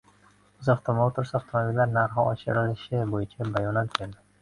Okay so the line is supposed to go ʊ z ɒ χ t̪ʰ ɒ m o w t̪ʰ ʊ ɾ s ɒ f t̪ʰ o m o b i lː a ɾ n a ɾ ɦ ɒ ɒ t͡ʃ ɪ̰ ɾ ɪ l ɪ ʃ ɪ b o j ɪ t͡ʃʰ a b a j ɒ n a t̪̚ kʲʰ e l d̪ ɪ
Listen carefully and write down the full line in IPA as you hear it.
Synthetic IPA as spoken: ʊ z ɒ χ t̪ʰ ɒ m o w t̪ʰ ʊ ɾ s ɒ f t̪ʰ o m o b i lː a ɾ n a ɾ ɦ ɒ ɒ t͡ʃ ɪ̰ ɾ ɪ l ɪ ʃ ɪ b o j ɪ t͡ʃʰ a b a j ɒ n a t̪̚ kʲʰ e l d̪ ɪ